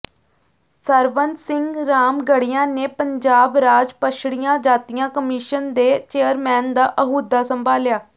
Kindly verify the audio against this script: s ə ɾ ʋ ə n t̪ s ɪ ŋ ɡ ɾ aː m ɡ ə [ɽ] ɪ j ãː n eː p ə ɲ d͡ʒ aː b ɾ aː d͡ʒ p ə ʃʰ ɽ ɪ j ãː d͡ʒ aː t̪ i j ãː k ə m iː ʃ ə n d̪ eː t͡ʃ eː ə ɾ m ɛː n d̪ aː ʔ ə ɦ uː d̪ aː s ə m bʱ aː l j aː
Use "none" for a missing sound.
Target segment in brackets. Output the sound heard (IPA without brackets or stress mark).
ɽ